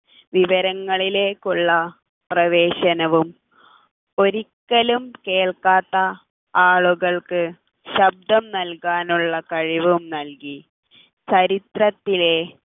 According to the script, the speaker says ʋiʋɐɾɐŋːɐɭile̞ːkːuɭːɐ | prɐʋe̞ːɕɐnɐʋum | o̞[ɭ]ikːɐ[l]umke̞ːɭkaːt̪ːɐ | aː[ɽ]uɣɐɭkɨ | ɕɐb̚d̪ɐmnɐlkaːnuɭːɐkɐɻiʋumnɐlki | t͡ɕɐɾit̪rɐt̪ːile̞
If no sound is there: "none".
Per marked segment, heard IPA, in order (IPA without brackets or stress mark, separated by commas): ɾ, l, ɭ